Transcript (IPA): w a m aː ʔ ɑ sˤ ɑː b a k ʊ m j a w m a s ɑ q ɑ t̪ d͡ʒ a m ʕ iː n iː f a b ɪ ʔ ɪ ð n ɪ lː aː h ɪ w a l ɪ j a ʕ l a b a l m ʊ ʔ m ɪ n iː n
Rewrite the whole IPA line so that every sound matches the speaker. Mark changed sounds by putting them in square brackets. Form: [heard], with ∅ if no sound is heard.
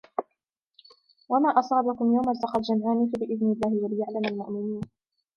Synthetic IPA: w a m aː ʔ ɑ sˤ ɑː b a k ʊ m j a w m a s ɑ q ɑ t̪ d͡ʒ a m ʕ [aː] n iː f a b ɪ ʔ ɪ ð n ɪ lː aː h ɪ w a l ɪ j a ʕ l a [m] a l m ʊ ʔ m ɪ n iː n